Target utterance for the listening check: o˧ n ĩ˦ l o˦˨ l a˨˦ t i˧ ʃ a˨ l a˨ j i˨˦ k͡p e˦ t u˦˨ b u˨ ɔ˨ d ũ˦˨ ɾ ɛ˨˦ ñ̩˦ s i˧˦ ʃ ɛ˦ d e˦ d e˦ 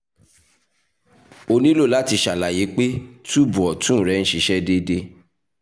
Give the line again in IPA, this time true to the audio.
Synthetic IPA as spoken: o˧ n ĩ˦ l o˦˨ l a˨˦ t i˧ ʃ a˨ l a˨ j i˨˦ k͡p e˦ t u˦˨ b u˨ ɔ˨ t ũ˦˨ ɾ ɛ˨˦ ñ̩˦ ʃ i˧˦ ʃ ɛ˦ d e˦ d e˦

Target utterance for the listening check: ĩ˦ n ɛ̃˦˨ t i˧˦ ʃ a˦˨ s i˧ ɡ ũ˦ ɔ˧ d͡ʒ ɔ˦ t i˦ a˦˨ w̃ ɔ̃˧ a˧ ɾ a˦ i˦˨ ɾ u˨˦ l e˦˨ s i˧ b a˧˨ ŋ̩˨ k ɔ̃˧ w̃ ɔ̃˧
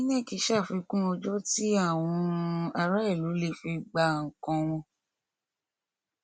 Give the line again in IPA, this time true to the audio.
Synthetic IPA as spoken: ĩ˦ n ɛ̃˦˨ k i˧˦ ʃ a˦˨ f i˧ k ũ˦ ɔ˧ d͡ʒ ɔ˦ t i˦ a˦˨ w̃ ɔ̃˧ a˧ ɾ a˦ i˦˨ l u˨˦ l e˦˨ f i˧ ɡ͡b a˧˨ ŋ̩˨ k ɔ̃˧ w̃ ɔ̃˧

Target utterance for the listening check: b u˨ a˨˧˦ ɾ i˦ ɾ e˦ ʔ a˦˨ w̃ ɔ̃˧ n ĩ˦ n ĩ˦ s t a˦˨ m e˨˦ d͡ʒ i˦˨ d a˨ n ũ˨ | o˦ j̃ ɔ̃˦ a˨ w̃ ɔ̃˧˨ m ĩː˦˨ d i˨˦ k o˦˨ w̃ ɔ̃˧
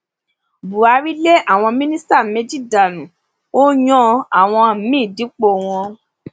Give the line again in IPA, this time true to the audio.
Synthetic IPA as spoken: b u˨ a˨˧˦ ɾ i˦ l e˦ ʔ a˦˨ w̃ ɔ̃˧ m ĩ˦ n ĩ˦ s t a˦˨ m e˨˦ d͡ʒ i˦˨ d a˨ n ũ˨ | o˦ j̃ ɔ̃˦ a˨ w̃ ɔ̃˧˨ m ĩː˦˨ d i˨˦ k͡p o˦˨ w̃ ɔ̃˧

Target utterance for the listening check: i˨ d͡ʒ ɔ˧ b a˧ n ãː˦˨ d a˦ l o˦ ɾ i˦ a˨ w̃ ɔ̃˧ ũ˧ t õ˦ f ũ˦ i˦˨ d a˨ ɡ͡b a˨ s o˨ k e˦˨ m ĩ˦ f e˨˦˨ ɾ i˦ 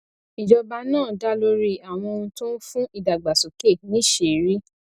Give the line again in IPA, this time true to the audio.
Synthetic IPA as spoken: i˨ d͡ʒ ɔ˧ b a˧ n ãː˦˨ d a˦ l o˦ ɾ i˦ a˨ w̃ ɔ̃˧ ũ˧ t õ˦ f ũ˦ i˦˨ d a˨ ɡ͡b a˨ s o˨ k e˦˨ n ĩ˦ ʃ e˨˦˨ ɾ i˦

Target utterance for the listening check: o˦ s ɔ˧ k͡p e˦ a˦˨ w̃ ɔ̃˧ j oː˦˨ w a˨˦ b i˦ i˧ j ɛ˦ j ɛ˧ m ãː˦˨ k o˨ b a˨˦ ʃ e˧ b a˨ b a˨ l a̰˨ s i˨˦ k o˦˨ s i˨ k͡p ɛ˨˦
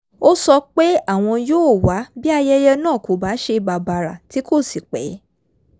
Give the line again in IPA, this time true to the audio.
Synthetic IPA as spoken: o˦ s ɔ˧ k͡p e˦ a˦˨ w̃ ɔ̃˧ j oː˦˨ w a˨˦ b i˦ a˧ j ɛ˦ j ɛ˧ n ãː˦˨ k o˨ b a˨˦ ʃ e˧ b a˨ b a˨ ɾ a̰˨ t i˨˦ k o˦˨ s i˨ k͡p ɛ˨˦

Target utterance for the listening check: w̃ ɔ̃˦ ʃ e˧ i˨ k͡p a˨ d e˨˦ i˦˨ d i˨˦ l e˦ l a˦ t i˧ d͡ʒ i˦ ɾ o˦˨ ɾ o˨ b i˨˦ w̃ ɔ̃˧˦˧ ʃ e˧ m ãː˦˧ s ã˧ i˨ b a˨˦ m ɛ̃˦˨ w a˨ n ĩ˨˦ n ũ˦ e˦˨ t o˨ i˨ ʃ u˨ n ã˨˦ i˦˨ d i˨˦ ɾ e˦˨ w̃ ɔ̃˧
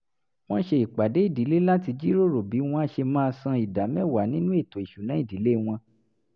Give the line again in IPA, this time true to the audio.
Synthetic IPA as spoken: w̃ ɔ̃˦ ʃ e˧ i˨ k͡p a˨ d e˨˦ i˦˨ d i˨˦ l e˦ l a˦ t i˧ d͡ʒ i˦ ɾ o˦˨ ɾ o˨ b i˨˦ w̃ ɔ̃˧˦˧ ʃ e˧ m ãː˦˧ s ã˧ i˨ d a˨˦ m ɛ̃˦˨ w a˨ n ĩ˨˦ n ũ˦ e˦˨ t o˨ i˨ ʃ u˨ n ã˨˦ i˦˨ d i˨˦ l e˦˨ w̃ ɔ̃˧

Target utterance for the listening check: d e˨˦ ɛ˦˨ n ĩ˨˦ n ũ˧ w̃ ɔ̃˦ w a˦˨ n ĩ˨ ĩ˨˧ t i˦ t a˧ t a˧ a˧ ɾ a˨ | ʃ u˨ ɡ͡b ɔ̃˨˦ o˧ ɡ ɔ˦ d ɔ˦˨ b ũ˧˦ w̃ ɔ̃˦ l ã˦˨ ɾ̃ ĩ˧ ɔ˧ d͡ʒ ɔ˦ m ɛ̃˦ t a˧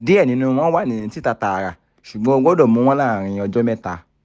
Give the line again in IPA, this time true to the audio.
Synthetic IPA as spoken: d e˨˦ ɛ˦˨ n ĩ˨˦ n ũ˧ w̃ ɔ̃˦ w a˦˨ n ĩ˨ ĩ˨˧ t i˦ t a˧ t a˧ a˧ ɾ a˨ | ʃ u˨ ɡ͡b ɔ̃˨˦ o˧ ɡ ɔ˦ d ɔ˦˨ m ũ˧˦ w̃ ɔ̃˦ l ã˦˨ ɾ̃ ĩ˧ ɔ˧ d͡ʒ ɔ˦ m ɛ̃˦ t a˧

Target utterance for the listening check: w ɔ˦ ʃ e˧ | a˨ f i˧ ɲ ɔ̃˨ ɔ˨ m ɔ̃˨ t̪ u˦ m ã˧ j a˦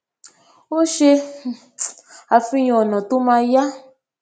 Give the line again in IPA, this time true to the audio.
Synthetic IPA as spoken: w o˦ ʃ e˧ | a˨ f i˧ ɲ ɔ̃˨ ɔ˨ n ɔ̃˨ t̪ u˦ m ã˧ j a˦

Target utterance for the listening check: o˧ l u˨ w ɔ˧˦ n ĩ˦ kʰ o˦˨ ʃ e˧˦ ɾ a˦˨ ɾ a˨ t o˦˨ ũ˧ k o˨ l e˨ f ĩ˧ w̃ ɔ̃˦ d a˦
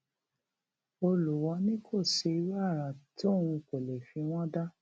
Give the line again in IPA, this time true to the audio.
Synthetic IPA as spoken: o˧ l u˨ w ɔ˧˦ n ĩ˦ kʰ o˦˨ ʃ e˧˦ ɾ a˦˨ ɾ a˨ t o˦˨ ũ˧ k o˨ l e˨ f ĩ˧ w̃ ɔ̃˦ d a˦

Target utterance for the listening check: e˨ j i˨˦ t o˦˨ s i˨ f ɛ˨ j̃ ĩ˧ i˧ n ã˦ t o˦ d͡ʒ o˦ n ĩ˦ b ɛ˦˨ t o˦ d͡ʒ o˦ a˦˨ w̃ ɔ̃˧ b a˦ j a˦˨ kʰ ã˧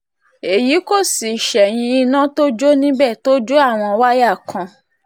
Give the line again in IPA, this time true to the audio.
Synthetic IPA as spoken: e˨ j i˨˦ k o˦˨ s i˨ ʃ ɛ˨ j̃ ĩ˧ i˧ n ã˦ t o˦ d͡ʒ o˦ n ĩ˦ b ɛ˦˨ t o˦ d͡ʒ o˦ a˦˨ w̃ ɔ̃˧ w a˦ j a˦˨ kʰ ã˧

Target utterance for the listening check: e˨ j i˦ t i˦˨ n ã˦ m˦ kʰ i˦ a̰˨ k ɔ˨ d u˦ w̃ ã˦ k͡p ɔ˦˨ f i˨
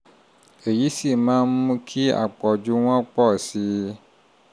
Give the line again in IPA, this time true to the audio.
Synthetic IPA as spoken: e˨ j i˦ s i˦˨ m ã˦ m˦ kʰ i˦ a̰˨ k͡p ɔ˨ d͡ʒ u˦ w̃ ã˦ k͡p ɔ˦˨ s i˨

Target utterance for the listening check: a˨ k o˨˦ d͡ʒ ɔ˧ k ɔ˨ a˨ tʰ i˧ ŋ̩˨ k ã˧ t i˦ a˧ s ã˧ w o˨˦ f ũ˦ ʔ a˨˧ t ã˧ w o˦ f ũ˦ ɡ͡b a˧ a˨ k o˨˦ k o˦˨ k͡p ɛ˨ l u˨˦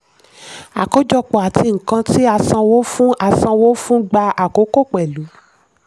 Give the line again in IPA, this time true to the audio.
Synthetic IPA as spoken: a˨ k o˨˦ d͡ʒ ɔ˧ k͡p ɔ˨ a˨ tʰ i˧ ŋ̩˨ k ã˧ t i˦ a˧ s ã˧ w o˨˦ f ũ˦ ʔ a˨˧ s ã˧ w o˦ f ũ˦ ɡ͡b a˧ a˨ k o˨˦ k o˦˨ k͡p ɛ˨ l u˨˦

